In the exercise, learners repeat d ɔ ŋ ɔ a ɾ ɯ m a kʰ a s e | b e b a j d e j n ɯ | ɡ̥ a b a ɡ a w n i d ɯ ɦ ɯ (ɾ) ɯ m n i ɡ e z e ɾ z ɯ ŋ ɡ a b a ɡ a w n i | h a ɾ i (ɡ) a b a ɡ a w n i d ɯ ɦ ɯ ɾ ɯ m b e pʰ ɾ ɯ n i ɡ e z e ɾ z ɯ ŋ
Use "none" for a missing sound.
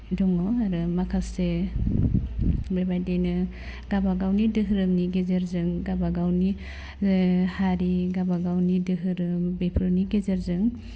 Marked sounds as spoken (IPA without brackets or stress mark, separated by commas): ɾ, ɡ